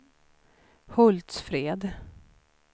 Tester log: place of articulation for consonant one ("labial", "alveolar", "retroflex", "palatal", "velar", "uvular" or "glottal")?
glottal